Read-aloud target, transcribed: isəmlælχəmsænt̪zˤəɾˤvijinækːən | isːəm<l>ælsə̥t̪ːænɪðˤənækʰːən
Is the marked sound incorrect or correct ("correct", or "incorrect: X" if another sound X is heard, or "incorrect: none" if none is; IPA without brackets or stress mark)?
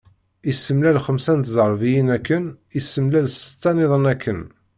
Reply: correct